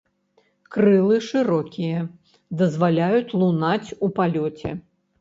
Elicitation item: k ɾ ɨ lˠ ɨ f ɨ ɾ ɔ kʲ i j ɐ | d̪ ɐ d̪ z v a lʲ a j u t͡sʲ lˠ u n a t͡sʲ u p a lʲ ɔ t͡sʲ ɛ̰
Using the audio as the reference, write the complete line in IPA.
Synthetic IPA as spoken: k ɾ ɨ lˠ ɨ ʂ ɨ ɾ ɔ kʲ i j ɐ | d̪ ɐ z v a lʲ a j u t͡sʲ lˠ u n a t͡sʲ u p a lʲ ɔ t͡sʲ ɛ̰